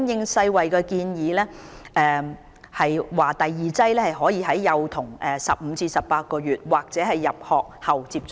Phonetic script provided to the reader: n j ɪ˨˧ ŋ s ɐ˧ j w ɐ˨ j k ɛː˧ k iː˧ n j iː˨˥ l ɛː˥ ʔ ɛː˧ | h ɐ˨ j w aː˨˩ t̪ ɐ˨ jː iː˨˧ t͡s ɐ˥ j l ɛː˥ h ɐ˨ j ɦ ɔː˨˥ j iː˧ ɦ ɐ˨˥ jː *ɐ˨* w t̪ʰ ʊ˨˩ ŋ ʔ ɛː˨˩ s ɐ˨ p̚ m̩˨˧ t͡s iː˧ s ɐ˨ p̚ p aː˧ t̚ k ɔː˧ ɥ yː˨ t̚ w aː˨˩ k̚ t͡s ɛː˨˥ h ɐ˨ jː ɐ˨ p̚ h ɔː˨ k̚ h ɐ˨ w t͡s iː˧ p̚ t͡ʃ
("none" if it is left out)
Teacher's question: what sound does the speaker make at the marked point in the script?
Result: ɐ˨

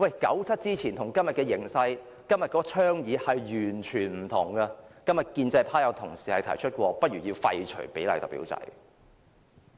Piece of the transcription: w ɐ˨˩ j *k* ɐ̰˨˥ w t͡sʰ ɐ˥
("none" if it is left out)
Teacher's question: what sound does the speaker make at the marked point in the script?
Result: k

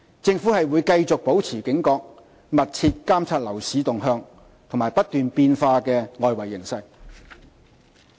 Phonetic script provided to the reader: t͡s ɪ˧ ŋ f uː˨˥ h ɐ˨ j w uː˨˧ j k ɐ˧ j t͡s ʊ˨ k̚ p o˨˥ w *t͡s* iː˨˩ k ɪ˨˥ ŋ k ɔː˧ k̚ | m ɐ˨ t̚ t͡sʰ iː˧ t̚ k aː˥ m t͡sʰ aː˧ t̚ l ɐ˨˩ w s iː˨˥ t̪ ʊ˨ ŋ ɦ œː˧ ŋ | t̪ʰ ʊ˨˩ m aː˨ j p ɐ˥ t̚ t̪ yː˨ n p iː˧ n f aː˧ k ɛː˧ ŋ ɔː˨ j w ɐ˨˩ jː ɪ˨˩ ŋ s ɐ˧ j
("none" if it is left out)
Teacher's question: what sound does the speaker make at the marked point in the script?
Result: t͡sʰ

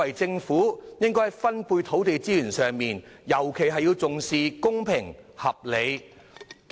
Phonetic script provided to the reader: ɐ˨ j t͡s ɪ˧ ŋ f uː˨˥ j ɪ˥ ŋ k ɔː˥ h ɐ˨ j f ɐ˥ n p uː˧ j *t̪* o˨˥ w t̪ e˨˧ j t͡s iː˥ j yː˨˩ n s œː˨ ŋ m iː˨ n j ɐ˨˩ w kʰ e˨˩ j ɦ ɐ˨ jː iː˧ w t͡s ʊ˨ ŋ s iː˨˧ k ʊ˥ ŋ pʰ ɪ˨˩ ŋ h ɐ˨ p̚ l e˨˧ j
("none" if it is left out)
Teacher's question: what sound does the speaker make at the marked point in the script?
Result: t̪ʰ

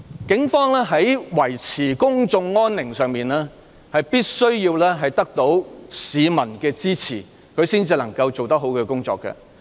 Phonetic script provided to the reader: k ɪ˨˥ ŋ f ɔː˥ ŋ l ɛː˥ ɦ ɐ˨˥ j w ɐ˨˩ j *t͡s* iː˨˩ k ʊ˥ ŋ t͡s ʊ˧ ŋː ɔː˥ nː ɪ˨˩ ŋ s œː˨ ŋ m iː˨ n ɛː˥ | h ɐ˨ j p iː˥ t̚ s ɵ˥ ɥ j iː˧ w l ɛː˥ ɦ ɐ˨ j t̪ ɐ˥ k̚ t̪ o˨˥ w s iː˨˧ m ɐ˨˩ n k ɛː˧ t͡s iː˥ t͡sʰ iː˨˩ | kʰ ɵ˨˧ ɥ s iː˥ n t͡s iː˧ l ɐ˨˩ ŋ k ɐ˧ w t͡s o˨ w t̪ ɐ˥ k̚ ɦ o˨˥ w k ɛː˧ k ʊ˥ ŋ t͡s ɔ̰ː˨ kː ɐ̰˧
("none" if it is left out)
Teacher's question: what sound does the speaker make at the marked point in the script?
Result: t͡sʰ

